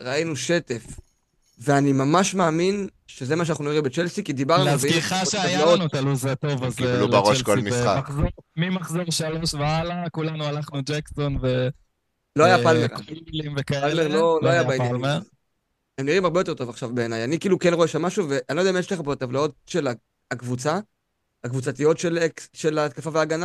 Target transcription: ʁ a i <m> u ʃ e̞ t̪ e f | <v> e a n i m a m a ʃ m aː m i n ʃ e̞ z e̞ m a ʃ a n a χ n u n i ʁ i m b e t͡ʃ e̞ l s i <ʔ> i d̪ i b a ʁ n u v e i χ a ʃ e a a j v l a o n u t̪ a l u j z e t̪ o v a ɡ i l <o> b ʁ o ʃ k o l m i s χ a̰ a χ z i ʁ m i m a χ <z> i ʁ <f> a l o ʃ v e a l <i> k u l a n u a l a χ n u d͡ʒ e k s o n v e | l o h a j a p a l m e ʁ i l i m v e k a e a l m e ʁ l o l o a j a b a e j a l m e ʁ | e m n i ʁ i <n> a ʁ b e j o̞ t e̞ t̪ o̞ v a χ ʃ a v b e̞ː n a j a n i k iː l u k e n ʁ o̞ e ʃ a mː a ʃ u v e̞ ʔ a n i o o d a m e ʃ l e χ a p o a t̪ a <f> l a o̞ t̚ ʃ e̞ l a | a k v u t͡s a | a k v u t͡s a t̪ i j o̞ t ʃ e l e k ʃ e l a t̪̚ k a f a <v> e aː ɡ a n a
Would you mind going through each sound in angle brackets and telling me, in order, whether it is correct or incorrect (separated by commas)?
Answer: incorrect, correct, incorrect, incorrect, correct, incorrect, incorrect, incorrect, incorrect, correct